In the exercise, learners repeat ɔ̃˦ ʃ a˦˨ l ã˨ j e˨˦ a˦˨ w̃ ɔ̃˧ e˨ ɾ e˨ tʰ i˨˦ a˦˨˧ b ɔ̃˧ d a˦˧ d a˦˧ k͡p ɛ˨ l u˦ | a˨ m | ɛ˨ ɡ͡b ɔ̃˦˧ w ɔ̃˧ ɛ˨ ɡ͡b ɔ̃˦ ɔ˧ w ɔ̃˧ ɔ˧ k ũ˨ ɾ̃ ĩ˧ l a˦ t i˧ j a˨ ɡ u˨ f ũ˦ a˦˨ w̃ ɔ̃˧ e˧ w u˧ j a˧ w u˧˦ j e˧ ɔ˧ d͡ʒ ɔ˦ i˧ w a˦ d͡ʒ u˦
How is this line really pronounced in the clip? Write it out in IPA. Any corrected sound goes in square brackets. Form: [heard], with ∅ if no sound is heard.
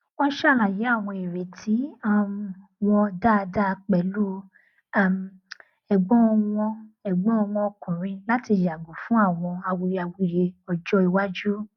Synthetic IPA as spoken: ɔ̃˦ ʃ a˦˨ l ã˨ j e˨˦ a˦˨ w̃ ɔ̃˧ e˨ ɾ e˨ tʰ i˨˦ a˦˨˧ [w] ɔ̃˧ d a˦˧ d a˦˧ k͡p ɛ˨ l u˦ | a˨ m | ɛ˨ ɡ͡b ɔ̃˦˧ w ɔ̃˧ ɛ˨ ɡ͡b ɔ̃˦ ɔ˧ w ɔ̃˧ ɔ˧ k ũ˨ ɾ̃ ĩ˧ l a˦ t i˧ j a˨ ɡ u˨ f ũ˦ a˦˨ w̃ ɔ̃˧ [a˧] w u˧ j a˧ w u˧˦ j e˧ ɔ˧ d͡ʒ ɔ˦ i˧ w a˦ d͡ʒ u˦